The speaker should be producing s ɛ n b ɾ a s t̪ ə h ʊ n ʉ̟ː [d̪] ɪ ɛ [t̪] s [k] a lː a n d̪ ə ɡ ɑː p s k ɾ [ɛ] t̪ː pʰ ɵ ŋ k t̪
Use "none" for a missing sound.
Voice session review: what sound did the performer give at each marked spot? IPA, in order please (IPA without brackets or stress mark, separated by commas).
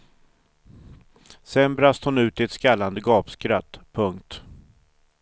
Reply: t̪, t̪, k, a